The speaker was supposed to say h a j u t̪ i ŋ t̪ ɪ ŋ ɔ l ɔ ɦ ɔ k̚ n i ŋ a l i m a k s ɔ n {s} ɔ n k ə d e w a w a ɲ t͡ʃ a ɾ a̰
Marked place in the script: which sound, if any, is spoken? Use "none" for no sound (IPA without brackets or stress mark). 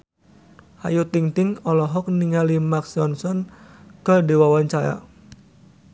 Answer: s